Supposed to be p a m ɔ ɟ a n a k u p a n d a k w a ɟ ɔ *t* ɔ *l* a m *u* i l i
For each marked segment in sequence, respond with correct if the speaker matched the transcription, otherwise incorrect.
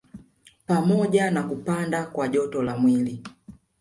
correct, correct, incorrect: w

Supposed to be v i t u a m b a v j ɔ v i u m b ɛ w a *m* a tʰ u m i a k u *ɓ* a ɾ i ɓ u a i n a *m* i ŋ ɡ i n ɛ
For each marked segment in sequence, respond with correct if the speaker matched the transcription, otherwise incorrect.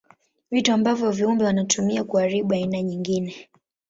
incorrect: n, incorrect: none, incorrect: ɲ

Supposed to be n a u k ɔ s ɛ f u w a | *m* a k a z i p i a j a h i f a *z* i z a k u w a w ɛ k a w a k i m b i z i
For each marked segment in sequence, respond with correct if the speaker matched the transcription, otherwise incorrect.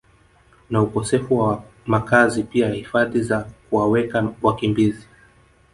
correct, incorrect: ð

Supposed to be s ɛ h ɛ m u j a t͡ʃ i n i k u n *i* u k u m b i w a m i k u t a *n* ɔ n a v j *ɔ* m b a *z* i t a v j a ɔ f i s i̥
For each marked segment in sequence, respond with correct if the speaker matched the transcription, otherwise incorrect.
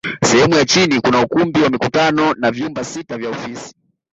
incorrect: a, correct, incorrect: u, incorrect: s

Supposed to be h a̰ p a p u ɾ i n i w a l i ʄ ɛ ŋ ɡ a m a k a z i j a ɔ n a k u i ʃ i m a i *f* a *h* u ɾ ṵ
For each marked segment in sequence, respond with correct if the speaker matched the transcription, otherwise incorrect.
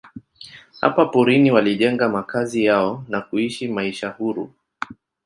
incorrect: ʃ, correct

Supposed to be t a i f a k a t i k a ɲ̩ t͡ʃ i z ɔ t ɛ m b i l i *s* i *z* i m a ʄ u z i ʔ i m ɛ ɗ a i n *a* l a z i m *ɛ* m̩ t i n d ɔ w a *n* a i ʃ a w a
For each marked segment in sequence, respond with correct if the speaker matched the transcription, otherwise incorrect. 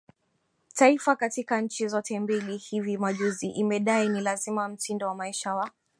incorrect: h, incorrect: v, incorrect: i, incorrect: a, incorrect: m

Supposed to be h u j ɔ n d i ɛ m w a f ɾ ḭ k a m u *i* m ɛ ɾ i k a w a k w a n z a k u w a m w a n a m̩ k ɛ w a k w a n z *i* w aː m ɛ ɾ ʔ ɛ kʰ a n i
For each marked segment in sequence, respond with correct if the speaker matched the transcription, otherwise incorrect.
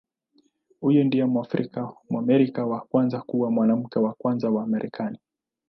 incorrect: a, incorrect: a

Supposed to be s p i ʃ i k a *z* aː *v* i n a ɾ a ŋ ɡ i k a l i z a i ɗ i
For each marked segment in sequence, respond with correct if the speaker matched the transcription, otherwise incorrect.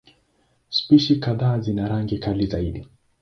incorrect: ð, incorrect: z

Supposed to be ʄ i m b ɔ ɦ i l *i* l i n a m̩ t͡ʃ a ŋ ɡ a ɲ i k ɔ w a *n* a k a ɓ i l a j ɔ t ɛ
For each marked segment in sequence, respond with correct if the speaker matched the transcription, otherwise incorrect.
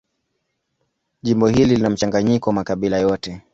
correct, incorrect: m

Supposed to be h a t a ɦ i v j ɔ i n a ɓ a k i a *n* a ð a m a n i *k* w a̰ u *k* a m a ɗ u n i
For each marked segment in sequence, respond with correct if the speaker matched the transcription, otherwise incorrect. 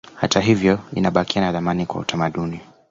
correct, correct, incorrect: t

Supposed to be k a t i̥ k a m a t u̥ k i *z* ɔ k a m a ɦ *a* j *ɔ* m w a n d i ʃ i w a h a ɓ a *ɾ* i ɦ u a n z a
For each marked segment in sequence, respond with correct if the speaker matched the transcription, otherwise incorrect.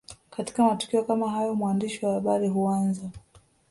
incorrect: none, correct, correct, correct

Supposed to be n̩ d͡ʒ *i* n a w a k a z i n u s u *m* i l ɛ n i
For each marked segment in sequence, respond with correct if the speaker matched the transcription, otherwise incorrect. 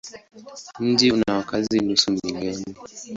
correct, correct

